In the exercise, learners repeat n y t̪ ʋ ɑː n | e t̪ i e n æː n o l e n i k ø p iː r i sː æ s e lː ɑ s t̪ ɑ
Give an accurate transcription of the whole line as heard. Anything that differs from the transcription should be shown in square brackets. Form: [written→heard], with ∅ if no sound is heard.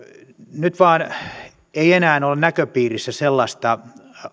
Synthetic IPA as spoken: n y t̪ ʋ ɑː n | e [t̪→∅] i e n æː n o l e n [i→æ] k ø p iː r i sː æ s e lː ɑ s t̪ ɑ